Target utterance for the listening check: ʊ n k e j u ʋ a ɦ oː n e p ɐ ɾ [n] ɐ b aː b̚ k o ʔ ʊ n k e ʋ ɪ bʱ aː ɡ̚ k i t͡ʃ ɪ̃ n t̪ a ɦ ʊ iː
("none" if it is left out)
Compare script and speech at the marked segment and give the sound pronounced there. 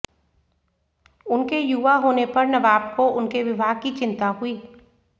n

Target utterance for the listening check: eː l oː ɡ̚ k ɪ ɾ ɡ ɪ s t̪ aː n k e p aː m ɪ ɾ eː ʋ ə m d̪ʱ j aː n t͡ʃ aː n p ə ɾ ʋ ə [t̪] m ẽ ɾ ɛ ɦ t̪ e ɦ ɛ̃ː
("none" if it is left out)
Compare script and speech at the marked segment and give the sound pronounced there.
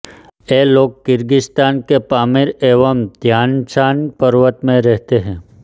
t̪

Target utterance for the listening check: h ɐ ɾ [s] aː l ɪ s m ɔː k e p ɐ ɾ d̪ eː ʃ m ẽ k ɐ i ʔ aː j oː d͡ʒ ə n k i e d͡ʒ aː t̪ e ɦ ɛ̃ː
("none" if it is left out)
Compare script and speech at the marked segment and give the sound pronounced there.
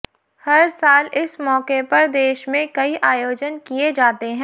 s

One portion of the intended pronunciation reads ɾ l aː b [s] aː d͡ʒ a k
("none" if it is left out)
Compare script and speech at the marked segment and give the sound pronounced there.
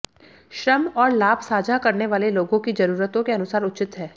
s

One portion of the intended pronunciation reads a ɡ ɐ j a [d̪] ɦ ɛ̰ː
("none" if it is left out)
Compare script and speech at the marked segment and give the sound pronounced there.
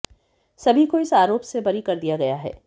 none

